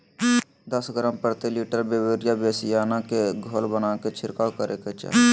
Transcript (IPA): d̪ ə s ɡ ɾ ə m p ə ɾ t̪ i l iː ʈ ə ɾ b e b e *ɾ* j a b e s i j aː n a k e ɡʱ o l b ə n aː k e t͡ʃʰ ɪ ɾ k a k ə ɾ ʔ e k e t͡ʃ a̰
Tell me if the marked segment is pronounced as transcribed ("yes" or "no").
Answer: yes